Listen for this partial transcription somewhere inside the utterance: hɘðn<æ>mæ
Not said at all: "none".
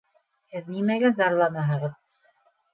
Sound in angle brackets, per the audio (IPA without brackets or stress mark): i